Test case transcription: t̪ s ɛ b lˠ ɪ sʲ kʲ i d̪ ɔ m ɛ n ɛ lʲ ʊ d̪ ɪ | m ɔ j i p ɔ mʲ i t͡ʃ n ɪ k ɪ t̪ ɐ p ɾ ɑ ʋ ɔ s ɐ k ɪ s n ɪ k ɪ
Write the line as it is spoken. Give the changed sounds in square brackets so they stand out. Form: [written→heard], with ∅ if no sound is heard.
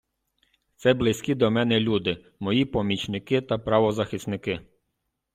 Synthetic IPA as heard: t̪ s ɛ b lˠ ɪ sʲ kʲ i d̪ ɔ m ɛ n ɛ lʲ [ʊ→u] d̪ ɪ | m ɔ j i p ɔ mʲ i t͡ʃ n ɪ k ɪ t̪ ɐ p ɾ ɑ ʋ ɔ [s→z] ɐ [k→x] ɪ s n ɪ k ɪ